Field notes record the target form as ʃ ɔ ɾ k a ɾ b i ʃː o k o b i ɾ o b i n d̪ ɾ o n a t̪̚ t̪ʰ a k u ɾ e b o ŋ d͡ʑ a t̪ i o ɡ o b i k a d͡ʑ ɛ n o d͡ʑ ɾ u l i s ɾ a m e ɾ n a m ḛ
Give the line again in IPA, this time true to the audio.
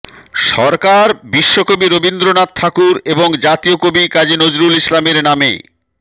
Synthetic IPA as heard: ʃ ɔ ɾ k a ɾ b i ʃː o k o b i ɾ o b i n d̪ ɾ o n a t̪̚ t̪ʰ a k u ɾ e b o ŋ d͡ʑ a t̪ i o k o b i k a d͡ʑ i n o d͡ʑ ɾ u l i s l a m e ɾ n a m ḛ